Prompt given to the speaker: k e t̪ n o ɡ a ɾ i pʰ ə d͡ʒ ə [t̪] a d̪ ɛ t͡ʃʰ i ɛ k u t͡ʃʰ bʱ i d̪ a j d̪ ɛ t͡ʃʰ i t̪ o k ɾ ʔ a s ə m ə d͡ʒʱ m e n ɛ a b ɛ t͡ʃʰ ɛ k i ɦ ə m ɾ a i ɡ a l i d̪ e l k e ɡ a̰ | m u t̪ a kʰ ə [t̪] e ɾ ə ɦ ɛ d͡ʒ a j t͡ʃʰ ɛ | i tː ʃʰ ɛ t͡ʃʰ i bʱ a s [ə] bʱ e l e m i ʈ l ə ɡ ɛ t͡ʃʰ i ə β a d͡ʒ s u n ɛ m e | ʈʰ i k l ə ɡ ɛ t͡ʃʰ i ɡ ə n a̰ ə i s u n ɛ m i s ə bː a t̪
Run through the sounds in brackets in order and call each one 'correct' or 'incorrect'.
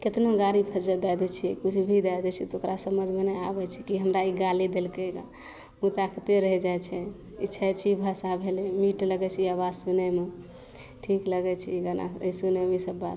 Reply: incorrect: d̪, correct, incorrect: a

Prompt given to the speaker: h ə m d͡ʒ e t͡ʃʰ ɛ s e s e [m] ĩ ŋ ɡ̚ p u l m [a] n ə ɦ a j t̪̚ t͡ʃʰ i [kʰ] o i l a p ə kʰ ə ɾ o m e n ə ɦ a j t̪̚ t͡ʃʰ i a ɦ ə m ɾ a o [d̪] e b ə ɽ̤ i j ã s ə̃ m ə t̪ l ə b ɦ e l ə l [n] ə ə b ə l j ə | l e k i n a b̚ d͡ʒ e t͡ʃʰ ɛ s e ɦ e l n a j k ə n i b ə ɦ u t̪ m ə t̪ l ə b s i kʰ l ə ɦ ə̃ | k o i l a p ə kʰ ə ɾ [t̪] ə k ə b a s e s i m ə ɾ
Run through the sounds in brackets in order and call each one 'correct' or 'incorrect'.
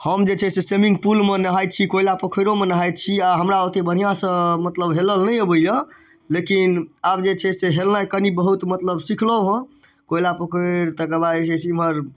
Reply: correct, incorrect: e, incorrect: k, incorrect: t̪, correct, correct

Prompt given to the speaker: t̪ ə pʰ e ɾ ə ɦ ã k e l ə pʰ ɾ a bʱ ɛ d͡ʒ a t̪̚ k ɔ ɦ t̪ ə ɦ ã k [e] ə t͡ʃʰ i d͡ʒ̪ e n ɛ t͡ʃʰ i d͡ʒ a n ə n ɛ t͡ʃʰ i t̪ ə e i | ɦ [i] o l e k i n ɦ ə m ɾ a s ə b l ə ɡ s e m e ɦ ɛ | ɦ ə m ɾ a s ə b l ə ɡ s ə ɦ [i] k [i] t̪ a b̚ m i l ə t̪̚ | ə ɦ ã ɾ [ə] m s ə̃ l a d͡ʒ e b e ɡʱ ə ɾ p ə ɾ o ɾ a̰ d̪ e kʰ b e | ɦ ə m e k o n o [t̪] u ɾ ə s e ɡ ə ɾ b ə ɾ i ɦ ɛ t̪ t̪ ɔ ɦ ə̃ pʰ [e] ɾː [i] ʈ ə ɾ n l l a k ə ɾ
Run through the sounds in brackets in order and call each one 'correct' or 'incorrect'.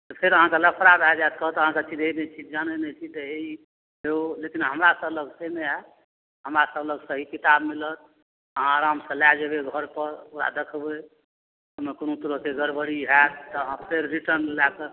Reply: correct, incorrect: e, correct, correct, incorrect: a, correct, correct, correct

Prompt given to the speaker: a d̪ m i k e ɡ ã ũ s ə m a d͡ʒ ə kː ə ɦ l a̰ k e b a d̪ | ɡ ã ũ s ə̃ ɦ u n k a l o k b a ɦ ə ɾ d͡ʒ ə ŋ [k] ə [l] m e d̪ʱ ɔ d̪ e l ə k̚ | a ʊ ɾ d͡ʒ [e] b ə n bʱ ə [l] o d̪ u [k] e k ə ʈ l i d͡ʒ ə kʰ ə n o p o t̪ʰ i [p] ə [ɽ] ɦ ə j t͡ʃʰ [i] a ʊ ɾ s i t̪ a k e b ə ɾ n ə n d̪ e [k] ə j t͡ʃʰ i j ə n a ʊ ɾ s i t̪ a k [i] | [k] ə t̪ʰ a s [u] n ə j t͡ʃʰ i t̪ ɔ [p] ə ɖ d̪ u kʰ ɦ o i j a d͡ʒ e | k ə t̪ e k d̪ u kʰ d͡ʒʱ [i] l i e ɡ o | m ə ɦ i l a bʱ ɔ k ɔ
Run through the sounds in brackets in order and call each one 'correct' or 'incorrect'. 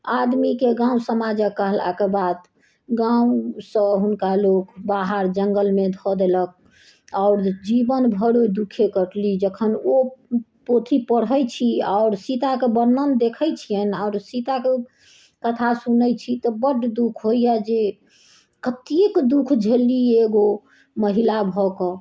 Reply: incorrect: ɡ, correct, incorrect: i, incorrect: ɽ, incorrect: kʰ, correct, correct, correct, incorrect: kʰ, incorrect: e, correct, correct, incorrect: b, incorrect: e

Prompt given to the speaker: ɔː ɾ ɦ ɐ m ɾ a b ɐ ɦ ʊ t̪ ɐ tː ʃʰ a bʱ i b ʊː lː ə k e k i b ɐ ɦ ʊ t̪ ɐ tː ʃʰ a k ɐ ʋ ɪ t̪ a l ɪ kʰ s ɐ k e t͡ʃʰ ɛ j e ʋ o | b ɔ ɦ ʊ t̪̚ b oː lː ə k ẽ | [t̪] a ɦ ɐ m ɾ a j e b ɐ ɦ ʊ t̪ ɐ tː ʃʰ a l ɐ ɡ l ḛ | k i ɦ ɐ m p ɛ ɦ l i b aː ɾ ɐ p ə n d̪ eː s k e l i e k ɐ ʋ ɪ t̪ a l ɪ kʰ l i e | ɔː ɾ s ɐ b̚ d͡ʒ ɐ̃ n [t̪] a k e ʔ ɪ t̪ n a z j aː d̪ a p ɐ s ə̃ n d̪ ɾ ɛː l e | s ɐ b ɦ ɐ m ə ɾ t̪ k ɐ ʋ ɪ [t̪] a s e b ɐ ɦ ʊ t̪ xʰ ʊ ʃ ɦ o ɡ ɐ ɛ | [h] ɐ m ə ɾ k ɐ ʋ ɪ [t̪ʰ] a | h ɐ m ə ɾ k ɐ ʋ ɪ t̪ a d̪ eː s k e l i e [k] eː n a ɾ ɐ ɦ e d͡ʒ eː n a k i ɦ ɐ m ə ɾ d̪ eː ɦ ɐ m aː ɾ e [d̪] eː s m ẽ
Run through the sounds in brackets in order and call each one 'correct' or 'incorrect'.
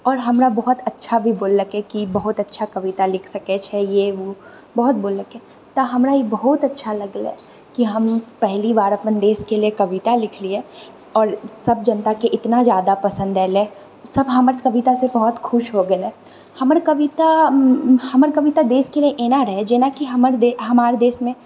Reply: correct, correct, correct, correct, incorrect: t̪, incorrect: ʔ, correct

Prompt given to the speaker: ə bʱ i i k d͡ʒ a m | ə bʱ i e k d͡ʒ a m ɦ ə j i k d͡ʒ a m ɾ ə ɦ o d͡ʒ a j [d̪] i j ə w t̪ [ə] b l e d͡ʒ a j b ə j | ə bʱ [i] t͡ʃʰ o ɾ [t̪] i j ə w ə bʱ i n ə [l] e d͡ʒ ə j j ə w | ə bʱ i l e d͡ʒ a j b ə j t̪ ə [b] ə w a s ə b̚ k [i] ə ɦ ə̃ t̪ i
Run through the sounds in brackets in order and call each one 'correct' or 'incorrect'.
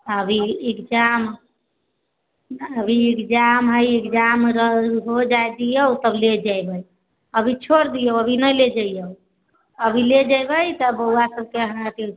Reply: correct, correct, correct, incorrect: d̪, correct, correct, incorrect: e

